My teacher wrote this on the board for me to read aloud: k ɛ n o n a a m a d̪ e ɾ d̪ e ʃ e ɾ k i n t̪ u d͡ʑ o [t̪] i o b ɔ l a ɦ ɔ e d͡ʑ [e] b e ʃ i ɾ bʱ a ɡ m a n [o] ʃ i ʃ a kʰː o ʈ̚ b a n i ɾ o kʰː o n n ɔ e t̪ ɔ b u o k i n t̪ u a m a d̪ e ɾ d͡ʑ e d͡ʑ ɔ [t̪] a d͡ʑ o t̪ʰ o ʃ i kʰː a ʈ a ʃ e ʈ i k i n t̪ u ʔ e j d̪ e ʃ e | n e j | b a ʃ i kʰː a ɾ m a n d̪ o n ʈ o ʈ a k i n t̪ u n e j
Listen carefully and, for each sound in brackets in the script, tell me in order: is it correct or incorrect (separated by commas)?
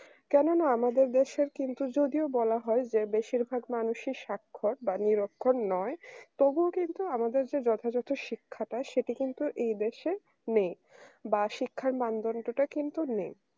incorrect, correct, incorrect, incorrect